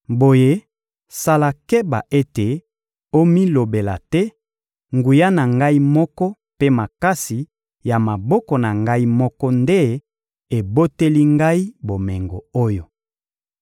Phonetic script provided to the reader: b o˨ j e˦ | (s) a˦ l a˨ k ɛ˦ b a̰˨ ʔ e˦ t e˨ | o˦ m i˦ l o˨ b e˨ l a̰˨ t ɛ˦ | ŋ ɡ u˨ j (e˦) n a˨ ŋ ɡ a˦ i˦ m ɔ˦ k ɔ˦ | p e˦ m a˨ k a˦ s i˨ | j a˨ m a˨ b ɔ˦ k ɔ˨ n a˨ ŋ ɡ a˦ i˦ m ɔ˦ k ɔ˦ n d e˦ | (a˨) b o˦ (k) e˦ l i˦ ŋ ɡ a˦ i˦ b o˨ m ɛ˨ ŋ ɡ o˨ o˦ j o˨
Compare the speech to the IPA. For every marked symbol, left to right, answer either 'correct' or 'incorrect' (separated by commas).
correct, incorrect, incorrect, incorrect